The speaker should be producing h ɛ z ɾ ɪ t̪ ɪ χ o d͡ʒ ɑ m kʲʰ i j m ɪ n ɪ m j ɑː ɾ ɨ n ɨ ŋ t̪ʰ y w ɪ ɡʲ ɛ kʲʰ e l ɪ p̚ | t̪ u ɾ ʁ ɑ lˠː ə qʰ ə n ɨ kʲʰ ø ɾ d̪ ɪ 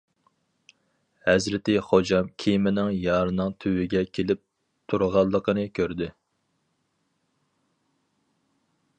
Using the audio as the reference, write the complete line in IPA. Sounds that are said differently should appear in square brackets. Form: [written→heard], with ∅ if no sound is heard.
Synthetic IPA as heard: h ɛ z ɾ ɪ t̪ ɪ χ o d͡ʒ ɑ m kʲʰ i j m ɪ n ɪ [m→ŋ] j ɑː ɾ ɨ n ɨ ŋ t̪ʰ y w ɪ ɡʲ ɛ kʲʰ e l ɪ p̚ | [t̪→t̪ʰ] u ɾ ʁ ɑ lˠː ə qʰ ə n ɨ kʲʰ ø ɾ d̪ ɪ